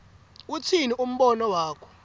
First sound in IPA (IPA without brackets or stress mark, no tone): u